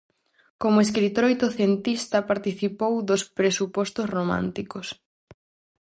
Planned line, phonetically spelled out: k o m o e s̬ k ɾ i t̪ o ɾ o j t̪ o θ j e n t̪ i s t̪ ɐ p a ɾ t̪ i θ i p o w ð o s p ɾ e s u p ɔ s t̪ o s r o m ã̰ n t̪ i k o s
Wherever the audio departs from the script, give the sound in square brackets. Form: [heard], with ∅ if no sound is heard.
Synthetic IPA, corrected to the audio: k o m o e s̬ k ɾ i t̪ o ɾ o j t̪ o θ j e n t̪ i s t̪ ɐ p a ɾ t̪ i θ i p o w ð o s p ɾ e s u p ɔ s t̪ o s r o m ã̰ n t̪ i k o s